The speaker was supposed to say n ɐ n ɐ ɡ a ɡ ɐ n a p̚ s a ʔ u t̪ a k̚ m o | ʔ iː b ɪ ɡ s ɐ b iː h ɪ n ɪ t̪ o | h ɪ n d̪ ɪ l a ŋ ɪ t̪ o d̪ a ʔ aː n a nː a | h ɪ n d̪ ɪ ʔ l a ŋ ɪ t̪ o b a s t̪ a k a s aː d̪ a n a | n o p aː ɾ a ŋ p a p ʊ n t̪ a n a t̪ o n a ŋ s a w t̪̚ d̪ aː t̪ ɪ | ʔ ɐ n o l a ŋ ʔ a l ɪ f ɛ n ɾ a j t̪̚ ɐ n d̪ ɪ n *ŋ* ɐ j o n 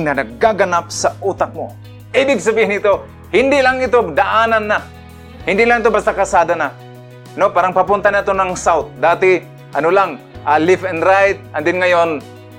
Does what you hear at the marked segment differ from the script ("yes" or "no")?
no